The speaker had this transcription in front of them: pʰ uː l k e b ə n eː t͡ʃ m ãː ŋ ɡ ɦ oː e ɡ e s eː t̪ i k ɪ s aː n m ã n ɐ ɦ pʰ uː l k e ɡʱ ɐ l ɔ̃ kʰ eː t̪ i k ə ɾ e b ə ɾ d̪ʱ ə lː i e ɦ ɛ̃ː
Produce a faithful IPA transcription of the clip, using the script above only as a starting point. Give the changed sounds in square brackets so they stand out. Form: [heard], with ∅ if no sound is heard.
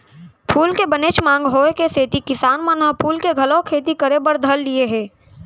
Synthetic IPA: pʰ uː l k e b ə n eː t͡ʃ m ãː ŋ ɡ ɦ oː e [k] e s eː t̪ i k ɪ s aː n m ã n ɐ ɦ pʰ uː l k e ɡʱ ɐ l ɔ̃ kʰ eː t̪ i k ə ɾ e b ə ɾ d̪ʱ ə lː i e ɦ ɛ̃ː